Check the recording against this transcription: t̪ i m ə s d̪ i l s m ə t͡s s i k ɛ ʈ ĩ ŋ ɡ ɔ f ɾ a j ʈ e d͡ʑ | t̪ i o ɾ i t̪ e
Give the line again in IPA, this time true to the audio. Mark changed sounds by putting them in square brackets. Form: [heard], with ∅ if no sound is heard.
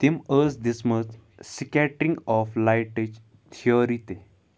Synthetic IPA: t̪ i m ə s d̪ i [∅] s m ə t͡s s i k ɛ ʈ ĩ ŋ ɡ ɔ f [l] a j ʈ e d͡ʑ | [t̪ʰ] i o ɾ i t̪ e